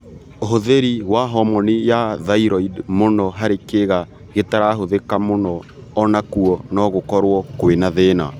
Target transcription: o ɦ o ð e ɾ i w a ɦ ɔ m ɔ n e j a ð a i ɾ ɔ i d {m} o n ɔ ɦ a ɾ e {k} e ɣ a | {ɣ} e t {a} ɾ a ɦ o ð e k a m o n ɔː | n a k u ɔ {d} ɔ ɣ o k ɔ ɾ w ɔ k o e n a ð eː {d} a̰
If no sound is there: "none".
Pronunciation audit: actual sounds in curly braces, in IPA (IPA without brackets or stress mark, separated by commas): m, k, ɣ, a, n, n